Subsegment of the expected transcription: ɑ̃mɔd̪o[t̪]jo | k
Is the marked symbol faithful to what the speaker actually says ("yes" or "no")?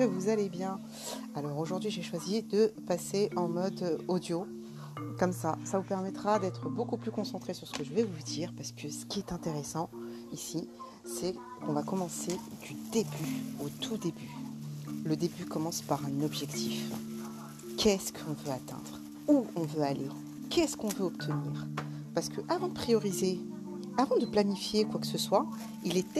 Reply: no